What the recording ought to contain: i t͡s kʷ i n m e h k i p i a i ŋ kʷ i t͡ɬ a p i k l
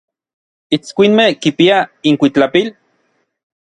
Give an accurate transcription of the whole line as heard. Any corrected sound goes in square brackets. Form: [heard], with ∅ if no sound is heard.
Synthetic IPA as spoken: i t͡s kʷ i n m e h k i p i a i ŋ kʷ i t͡ɬ a p i [∅] l